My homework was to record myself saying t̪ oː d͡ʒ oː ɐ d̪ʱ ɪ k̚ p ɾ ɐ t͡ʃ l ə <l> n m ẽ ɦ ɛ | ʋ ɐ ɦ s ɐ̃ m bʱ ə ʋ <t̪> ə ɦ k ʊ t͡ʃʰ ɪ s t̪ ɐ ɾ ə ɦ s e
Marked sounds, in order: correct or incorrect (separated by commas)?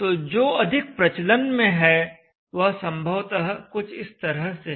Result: incorrect, correct